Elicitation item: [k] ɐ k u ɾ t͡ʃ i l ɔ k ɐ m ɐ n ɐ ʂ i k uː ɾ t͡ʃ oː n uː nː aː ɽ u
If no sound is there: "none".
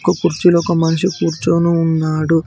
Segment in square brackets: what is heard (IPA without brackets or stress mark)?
k